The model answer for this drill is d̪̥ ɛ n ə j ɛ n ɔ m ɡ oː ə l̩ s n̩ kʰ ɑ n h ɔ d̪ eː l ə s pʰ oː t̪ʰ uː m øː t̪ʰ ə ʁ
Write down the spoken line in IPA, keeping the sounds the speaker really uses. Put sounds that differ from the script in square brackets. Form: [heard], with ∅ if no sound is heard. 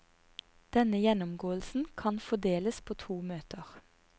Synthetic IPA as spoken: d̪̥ ɛ n ə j ɛ n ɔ m ɡ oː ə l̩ s n̩ kʰ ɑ n [f] ɔ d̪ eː l ə s pʰ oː t̪ʰ uː m øː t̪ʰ ə ʁ